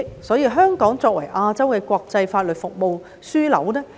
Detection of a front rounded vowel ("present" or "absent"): present